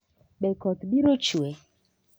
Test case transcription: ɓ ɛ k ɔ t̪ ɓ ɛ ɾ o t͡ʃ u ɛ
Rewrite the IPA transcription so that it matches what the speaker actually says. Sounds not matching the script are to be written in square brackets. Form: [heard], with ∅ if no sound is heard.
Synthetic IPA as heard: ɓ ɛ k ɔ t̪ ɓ [i] ɾ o t͡ʃ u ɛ